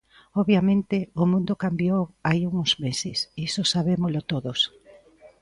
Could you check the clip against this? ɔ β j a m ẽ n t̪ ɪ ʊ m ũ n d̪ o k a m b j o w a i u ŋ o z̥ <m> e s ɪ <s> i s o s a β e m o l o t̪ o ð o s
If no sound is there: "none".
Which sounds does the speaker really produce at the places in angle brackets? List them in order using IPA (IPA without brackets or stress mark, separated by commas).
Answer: m, s